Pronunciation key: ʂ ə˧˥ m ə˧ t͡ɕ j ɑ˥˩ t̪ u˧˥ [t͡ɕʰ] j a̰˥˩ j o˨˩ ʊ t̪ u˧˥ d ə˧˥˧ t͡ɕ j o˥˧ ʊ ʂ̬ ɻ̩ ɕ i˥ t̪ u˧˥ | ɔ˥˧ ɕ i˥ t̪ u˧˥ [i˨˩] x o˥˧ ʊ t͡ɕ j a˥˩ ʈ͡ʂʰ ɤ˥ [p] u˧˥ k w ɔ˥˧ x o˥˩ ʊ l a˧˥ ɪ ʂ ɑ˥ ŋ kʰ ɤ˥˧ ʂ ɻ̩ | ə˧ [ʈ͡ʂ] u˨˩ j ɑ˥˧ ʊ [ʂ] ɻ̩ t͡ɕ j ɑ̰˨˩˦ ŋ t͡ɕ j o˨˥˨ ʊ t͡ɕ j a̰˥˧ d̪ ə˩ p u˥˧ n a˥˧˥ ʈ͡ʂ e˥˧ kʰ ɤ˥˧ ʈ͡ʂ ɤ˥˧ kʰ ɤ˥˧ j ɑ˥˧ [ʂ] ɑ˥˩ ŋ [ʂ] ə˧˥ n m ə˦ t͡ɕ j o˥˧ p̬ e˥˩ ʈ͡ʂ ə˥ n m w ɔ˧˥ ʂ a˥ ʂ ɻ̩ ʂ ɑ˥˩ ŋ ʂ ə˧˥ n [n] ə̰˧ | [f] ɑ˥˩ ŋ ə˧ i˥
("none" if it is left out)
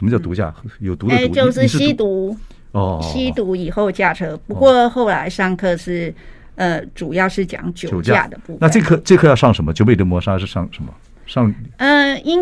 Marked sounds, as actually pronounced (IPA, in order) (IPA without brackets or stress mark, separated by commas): t͡ɕ, i˨˩, p, ʈ͡ʂ, ʂ, ʂ, ʂ, m, ʂ